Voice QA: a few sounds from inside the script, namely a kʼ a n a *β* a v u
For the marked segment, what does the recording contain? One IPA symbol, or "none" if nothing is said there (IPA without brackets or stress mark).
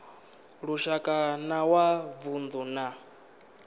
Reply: w